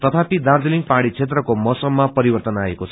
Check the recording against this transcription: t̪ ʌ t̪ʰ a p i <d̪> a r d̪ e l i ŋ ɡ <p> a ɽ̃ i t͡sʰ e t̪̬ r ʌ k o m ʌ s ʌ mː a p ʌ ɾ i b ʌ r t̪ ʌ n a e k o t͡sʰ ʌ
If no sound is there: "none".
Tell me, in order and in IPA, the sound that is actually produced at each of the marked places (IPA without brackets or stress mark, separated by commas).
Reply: d̪, p